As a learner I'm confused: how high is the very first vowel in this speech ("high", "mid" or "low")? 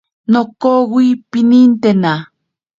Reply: mid